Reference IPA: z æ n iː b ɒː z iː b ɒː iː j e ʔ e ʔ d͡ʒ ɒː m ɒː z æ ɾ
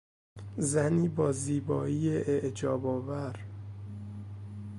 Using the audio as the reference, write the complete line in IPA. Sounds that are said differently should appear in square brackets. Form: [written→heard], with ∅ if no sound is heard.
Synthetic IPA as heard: z æ n iː b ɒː z iː b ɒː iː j e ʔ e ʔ d͡ʒ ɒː [m→b] ɒː [z→v] æ ɾ